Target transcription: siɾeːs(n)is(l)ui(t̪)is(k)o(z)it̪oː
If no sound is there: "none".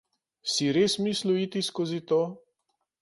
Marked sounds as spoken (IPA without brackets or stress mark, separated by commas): m, l, t̪, k, z